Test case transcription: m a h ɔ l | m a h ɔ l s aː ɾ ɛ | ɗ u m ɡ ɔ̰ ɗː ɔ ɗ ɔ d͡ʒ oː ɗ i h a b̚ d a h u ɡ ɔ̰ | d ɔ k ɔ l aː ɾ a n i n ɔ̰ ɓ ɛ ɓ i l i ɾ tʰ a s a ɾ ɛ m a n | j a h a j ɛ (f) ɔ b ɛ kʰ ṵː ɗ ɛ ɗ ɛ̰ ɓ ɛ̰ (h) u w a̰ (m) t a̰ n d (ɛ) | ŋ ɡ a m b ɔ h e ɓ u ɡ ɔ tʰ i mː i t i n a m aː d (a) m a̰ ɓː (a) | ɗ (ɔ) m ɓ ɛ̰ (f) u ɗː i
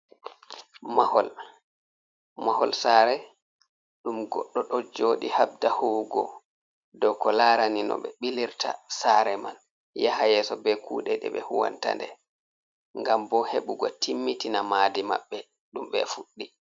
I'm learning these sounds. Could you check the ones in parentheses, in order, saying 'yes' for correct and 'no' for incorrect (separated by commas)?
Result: no, yes, no, yes, no, no, no, yes